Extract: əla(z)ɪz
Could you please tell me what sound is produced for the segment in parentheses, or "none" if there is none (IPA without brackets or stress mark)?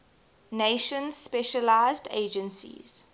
none